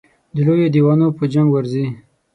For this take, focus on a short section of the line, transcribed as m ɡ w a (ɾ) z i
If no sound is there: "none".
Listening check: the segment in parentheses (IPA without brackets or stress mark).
ɾ